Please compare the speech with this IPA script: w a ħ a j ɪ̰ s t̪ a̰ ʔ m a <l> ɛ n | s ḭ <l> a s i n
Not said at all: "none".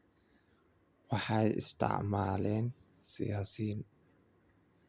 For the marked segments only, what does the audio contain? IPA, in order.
l, none

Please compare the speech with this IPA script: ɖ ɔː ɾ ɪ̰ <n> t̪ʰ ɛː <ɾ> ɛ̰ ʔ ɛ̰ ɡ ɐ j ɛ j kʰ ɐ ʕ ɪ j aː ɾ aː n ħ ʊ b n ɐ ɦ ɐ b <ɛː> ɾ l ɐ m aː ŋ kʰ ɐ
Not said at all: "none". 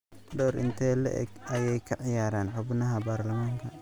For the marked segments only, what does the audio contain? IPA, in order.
n, l, aː

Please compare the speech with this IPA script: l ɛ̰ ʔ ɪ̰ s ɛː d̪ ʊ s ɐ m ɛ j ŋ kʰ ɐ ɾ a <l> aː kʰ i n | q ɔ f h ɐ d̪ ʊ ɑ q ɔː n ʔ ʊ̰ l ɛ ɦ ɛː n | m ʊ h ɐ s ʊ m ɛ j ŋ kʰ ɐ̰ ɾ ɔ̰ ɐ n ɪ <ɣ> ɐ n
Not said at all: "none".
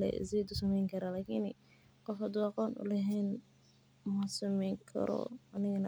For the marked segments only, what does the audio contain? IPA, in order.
l, ɣ

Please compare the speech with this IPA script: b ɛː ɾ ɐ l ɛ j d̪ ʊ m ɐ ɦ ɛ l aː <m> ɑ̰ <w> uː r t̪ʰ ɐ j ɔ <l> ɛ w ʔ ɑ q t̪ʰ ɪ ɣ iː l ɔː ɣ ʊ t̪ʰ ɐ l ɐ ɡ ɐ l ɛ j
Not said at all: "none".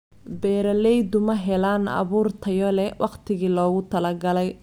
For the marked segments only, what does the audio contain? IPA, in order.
n, β, l

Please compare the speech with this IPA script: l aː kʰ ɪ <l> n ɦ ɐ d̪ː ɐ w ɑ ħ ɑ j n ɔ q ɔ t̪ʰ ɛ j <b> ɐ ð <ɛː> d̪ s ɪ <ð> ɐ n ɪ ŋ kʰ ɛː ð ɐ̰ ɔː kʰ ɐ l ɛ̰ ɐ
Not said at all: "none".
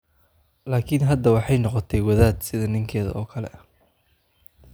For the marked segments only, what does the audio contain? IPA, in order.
none, w, aː, ð

